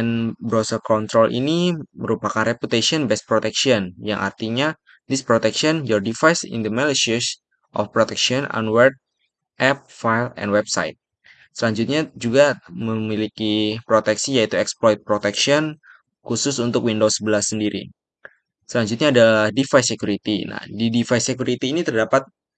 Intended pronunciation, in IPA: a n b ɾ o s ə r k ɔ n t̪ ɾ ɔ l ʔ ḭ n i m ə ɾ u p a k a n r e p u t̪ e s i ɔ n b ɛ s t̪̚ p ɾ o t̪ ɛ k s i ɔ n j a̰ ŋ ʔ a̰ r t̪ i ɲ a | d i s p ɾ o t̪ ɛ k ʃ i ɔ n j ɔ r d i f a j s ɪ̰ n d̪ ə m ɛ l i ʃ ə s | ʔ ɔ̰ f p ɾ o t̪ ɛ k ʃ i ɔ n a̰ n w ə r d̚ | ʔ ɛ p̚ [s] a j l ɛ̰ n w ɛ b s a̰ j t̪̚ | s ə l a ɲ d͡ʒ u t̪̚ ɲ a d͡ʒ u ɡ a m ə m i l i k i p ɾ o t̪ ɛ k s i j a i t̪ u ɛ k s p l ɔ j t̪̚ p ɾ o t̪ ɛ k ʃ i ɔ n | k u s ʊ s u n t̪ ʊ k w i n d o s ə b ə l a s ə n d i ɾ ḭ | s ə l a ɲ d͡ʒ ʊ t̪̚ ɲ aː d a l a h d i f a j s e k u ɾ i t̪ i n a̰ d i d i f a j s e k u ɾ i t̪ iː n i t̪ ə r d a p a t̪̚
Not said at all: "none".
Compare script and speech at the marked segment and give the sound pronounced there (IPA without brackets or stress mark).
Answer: f